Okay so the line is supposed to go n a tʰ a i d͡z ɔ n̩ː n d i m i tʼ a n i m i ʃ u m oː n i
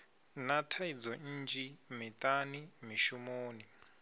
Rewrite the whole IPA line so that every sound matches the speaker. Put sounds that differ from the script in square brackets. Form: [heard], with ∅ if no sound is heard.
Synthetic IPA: n a tʰ a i d͡z ɔ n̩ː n [d͡ʒ] i m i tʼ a n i m i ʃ u m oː n i